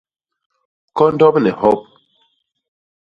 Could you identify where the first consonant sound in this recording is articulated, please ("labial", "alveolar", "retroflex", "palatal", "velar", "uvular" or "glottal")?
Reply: velar